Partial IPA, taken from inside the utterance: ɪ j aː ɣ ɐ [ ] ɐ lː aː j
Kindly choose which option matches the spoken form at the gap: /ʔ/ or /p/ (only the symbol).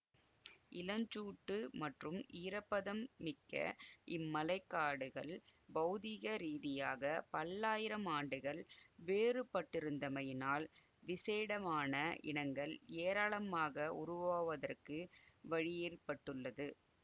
p